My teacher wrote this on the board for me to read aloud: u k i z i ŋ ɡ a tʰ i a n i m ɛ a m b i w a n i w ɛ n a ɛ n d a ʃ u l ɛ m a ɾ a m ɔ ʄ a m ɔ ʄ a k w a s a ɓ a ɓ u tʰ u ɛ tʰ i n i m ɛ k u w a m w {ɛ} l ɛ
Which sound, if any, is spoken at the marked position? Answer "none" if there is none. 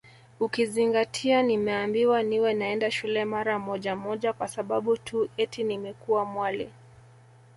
a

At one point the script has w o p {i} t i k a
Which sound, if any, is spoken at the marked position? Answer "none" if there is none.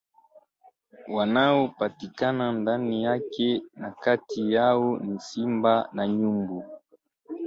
a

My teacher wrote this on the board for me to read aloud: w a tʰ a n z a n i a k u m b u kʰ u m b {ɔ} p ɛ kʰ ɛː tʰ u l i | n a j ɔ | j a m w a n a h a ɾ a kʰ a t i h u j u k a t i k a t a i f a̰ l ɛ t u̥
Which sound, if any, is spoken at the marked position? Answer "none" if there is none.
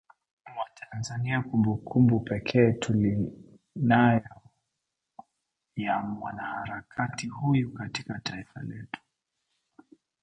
u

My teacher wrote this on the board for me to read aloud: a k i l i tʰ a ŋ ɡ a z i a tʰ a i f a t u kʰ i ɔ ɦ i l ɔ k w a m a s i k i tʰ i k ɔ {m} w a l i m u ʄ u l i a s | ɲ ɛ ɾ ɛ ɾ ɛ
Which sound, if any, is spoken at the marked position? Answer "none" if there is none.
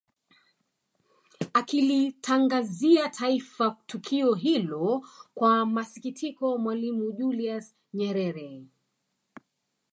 m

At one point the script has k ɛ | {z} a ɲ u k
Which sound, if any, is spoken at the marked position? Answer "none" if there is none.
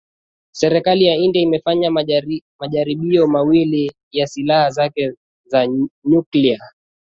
z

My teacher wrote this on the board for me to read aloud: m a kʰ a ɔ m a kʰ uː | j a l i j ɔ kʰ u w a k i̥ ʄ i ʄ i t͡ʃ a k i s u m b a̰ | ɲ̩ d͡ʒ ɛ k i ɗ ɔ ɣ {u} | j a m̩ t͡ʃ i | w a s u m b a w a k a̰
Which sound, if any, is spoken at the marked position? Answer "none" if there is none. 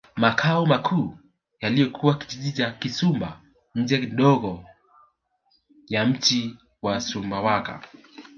ɔ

